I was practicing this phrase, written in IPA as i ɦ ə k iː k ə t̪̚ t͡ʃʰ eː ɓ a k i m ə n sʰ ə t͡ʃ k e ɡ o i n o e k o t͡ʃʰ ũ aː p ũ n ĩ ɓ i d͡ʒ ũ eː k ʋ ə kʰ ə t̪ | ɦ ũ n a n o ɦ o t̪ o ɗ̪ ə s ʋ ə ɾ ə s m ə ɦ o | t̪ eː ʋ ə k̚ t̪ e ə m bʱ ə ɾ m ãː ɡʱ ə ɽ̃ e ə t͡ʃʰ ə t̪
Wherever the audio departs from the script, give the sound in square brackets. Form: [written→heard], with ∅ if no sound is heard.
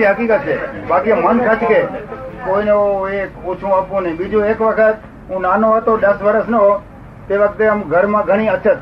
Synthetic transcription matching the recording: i ɦ ə k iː k ə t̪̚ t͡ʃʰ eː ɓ a k i m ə n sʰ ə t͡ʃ k e [ɡ→k] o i n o e k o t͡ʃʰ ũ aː p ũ n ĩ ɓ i d͡ʒ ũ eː k ʋ ə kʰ ə t̪ | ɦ ũ n a n o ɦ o t̪ o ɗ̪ ə s ʋ ə ɾ ə s [m→n] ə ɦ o | t̪ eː ʋ ə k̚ t̪ e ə m [bʱ→ɡʱ] ə ɾ m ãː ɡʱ ə ɽ̃ [e→i] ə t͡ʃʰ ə t̪